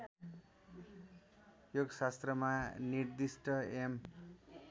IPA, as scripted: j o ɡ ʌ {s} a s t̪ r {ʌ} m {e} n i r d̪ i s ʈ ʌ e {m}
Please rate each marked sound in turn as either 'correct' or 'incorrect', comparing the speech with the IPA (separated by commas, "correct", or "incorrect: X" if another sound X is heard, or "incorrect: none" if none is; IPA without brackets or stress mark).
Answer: correct, correct, incorrect: a, correct